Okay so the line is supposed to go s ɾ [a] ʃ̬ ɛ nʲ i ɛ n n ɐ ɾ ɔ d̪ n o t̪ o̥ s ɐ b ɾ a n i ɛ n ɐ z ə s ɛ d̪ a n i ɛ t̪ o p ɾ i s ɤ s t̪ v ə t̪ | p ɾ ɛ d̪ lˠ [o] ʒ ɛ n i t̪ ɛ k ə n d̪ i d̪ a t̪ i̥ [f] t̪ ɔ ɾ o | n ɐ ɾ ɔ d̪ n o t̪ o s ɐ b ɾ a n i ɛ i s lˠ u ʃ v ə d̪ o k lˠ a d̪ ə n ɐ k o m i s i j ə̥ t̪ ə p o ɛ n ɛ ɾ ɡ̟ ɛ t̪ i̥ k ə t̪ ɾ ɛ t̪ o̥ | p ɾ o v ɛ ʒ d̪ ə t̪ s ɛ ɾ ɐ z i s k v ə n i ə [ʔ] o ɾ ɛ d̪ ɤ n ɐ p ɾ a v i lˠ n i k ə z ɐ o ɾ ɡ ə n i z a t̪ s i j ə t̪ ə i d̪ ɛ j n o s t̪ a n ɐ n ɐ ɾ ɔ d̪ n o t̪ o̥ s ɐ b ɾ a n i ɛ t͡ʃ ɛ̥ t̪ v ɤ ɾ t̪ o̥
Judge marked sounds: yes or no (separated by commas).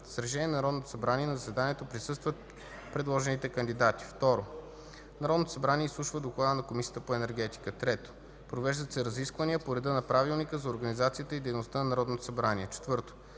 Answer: no, no, yes, no